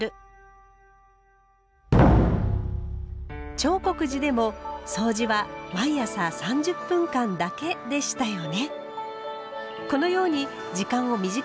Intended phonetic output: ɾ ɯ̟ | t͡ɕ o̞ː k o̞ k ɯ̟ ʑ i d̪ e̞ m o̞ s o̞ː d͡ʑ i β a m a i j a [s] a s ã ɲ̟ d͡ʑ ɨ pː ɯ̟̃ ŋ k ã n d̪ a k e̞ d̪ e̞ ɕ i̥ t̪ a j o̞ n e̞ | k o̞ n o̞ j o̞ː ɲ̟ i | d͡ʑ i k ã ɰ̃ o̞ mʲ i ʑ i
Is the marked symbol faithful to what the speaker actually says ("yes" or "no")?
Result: yes